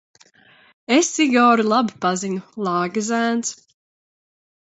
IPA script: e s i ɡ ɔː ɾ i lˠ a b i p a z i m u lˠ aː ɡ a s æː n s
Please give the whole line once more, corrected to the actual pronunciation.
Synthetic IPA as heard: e s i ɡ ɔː ɾ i lˠ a b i p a z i ɲ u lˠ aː ɡ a z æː n s